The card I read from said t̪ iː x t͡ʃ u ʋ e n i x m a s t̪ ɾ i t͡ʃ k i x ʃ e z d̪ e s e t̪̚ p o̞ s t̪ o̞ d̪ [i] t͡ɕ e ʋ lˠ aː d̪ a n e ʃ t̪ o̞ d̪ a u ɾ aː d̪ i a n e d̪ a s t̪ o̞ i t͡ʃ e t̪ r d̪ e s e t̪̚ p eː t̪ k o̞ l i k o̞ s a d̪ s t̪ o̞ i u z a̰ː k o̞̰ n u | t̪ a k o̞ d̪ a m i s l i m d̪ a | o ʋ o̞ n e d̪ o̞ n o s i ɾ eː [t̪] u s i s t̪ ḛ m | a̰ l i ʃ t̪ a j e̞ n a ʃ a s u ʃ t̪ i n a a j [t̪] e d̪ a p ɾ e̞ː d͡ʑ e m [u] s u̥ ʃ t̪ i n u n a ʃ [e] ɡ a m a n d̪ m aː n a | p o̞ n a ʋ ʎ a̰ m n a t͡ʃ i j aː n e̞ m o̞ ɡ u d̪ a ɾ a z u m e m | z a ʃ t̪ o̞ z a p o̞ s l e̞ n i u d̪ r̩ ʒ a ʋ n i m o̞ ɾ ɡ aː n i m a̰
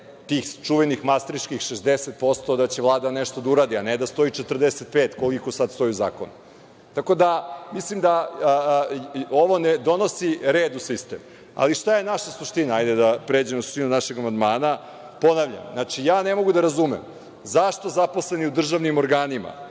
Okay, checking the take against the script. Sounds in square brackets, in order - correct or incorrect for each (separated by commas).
incorrect, incorrect, incorrect, incorrect, correct